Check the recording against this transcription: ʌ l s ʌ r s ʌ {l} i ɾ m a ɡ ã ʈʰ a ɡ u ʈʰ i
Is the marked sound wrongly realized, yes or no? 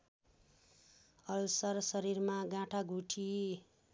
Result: yes